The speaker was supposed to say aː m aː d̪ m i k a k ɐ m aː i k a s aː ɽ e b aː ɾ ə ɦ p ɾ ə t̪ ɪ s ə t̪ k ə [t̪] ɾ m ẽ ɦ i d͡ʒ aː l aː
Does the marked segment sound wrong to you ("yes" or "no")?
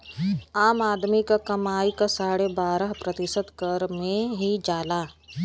yes